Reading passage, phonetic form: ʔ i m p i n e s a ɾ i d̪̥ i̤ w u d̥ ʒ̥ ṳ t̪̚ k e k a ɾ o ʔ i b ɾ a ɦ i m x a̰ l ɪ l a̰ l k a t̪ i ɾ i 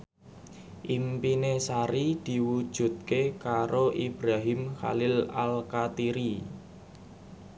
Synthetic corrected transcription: ʔ i m p i n e s a ɾ i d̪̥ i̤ w u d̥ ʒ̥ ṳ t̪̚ k e k a ɾ o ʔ i b ɾ a ɦ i m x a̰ l ɪ l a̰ l k a t̪ i ɾ i

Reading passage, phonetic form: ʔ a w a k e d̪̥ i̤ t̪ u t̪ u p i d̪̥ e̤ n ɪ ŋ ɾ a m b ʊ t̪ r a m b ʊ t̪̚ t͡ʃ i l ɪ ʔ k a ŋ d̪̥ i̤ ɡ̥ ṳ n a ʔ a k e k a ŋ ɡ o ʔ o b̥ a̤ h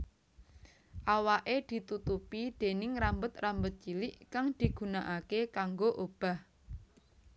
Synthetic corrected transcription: ʔ a w a ʔ e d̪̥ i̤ t̪ u t̪ u p i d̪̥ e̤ n ɪ ŋ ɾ a m b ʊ t̪ r a m b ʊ t̪̚ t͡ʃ i l ɪ ʔ k a ŋ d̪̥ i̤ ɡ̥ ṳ n a ʔ a k e k a ŋ ɡ o ʔ o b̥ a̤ h

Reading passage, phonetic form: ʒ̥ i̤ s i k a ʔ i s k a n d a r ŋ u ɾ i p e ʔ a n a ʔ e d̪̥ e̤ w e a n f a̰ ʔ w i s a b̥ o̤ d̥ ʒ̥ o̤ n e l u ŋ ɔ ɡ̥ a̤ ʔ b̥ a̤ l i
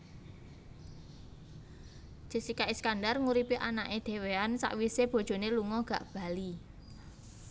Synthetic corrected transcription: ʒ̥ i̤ s i k a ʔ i s k a n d a r ŋ u ɾ i p i ʔ a n a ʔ e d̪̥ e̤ w e a n s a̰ ʔ w i s e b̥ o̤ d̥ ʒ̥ o̤ n e l u ŋ ɔ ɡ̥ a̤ ʔ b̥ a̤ l i

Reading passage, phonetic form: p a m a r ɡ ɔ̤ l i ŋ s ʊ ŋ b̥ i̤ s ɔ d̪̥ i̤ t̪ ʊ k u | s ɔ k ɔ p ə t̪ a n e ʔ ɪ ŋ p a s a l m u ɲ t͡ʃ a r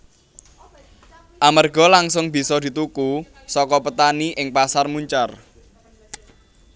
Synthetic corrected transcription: ʔ a m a r ɡ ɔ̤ l a ŋ s ʊ ŋ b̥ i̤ s ɔ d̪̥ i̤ t̪ u k u | s ɔ k ɔ p ə t̪ a n i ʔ ɪ ŋ p a s a r m u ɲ t͡ʃ a r

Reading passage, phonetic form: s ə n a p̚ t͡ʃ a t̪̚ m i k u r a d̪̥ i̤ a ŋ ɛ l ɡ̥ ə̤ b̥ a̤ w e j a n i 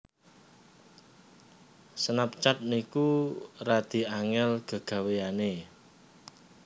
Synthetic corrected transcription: s ə n a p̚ t͡ʃ a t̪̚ n i k u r a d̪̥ i̤ a ŋ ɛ l ɡ̥ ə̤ ɡ̥ a̤ w e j a n e

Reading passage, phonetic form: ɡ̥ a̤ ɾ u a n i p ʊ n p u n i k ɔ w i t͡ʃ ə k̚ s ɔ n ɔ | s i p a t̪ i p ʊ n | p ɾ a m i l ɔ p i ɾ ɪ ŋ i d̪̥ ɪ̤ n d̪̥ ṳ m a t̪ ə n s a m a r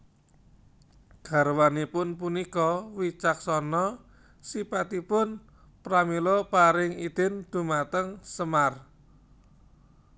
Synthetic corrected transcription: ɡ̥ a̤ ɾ w a n i p ʊ n p u n i k ɔ w i t͡ʃ a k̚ s ɔ n ɔ | s i p a t̪ i p ʊ n | p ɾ a m i l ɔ p a ɾ ɪ ŋ i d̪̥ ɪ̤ n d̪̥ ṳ m a t̪ ə ŋ s ə m a r

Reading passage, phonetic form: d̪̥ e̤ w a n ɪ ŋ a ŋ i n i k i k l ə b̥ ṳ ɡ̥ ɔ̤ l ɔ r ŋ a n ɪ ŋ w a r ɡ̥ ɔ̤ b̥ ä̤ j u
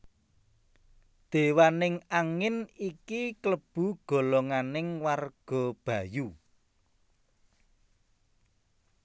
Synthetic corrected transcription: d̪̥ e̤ w a n ɪ ŋ a ŋ ɪ n i k i k l ə b̥ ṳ ɡ̥ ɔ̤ l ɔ ŋ a n ɪ ŋ w a r ɡ̥ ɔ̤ b̥ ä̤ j u

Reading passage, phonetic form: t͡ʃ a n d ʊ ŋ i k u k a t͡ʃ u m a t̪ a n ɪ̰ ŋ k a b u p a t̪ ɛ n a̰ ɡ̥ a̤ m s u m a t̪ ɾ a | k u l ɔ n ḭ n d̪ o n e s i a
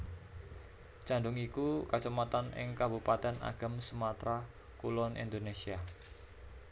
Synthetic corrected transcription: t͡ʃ a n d ʊ ŋ i k u k a t͡ʃ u m a t̪ a n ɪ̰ ŋ k a b u p a t̪ ɛ n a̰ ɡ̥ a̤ m s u m a t̪ ɾ a | k u l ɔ n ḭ n d̪ o n e s i a

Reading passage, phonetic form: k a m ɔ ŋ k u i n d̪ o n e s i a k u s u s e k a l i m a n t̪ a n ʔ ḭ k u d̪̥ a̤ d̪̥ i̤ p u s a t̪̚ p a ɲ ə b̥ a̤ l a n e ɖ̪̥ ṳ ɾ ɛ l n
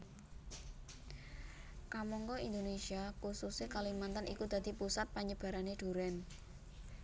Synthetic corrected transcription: k a m ɔ ŋ k ɔ i n d̪ o n e s i a k u s u s e k a l i m a n t̪ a n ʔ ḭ k u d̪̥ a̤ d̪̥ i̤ p u s a t̪̚ p a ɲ ə b̥ a̤ ɾ a n e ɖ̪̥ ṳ ɾ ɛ n

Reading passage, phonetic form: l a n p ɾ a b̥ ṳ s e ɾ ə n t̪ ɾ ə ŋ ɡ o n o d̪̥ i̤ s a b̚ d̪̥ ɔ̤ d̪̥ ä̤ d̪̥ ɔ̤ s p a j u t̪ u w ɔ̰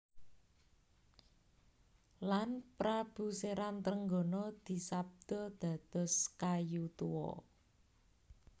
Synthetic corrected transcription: l a n p ɾ a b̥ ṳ s e ɾ a n t̪ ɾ ə ŋ ɡ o n ɔ d̪̥ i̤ s a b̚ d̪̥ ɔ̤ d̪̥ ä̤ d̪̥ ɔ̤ s k a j u t̪ u w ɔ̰

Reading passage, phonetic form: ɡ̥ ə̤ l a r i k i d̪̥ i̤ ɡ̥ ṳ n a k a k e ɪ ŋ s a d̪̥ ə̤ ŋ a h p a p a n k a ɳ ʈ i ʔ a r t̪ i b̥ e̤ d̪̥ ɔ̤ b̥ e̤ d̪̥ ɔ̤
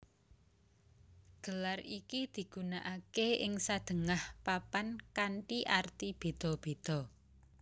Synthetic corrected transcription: ɡ̥ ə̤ l a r i k i d̪̥ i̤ ɡ̥ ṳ n a ʔ a k e ɪ ŋ s a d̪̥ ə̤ ŋ a h p a p a n k a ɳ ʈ i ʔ a r t̪ i b̥ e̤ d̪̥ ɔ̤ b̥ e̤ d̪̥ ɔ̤

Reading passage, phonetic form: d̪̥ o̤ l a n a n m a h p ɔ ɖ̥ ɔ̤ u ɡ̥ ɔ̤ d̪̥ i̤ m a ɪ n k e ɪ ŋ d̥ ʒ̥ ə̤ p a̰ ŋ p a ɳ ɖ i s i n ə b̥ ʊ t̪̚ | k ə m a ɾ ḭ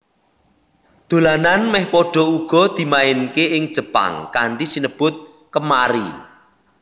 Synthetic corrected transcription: d̪̥ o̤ l a n a n m ɛ h p ɔ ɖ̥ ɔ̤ u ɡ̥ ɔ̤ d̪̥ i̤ m a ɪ n k e ɪ ŋ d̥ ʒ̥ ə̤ p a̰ ŋ k a ɳ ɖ i s i n ə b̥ ʊ t̪̚ | k ə m a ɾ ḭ

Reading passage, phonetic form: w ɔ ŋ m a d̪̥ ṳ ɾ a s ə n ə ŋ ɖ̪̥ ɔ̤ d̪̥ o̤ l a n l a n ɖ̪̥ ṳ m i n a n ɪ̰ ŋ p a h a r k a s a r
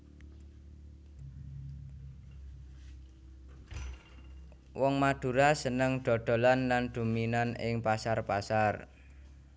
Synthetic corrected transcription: w ɔ ŋ m a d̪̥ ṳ ɾ a s ə n ə ŋ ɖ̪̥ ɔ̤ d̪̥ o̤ l a n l a n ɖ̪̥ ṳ m i n a n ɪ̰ ŋ p a s a r p a s a r

